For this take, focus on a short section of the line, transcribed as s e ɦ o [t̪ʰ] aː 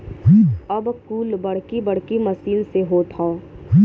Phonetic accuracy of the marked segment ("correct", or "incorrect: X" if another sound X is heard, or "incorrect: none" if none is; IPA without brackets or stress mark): correct